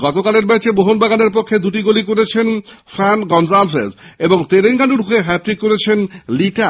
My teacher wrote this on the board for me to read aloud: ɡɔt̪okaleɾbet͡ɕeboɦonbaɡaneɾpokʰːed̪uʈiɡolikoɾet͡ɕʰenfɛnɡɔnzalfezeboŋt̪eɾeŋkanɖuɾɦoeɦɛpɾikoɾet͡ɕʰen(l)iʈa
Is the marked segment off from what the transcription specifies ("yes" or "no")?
no